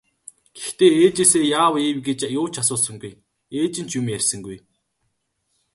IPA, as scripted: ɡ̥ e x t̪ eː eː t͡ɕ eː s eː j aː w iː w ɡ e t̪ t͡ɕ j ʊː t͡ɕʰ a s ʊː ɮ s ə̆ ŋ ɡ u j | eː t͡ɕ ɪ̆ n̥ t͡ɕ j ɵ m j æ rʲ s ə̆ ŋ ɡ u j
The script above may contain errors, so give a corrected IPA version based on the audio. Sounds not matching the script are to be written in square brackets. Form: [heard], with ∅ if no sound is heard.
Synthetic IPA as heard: ɡ̥ e x t̪ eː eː t͡ɕ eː s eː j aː w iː w ɡ e [∅] t͡ɕ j ʊː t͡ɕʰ a s ʊː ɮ s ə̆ ŋ ɡ u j | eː t͡ɕ ɪ̆ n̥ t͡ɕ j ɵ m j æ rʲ s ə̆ ŋ ɡ u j